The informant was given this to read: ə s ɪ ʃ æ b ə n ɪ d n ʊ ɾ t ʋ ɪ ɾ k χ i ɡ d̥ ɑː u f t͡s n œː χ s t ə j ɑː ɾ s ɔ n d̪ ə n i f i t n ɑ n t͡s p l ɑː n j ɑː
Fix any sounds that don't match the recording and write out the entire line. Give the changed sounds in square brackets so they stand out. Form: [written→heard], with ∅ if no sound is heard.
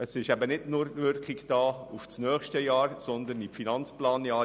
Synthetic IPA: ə s ɪ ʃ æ b ə n ɪ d n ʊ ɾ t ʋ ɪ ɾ k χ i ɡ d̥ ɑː u f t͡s n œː χ [s→ʃ] t ə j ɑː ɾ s ɔ n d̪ ə n i f i [t→∅] n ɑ n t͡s p l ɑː n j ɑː